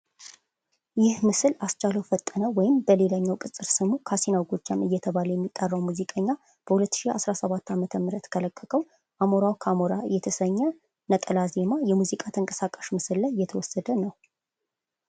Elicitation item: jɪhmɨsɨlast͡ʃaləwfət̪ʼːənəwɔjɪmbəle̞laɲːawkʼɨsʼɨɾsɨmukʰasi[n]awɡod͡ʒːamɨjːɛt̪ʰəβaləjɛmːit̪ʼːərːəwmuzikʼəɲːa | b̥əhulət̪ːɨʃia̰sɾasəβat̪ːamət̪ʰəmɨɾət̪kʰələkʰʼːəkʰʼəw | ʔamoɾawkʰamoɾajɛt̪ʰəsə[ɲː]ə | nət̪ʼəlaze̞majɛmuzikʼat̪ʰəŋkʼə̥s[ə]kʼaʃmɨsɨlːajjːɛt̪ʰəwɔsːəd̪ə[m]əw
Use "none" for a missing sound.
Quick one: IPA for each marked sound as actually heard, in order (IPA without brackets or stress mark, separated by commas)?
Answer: n, ɲː, a, n